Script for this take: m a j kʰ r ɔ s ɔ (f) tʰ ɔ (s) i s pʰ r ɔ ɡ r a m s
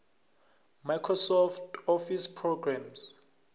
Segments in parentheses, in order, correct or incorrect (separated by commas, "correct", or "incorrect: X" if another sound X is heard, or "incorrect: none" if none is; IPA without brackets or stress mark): correct, incorrect: f